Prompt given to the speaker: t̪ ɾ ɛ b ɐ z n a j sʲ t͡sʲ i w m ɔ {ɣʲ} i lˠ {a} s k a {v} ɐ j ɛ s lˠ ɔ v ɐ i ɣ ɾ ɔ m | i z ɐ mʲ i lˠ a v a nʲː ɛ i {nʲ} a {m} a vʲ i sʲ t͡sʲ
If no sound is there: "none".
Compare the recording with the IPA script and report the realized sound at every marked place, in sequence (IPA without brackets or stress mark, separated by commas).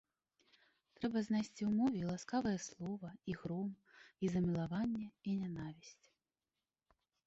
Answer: vʲ, a, v, nʲ, n